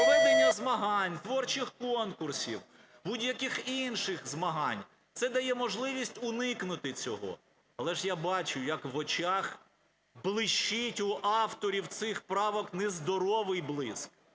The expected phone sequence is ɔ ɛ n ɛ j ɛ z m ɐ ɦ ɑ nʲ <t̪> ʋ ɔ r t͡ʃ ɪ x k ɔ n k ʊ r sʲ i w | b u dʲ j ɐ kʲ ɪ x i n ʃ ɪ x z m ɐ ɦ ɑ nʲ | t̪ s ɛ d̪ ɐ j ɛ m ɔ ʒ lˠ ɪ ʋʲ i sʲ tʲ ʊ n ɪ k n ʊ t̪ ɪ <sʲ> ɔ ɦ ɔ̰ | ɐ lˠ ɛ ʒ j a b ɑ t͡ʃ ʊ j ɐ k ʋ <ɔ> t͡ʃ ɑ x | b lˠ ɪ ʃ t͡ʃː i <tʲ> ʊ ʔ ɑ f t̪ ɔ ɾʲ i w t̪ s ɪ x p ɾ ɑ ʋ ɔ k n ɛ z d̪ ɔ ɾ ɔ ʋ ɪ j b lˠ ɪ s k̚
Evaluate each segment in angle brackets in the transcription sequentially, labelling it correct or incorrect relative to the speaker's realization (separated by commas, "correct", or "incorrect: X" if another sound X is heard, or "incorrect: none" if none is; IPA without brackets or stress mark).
correct, incorrect: t͡sʲ, correct, correct